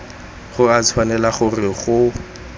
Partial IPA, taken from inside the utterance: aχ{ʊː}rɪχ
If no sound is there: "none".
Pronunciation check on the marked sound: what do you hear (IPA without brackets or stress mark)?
ʊ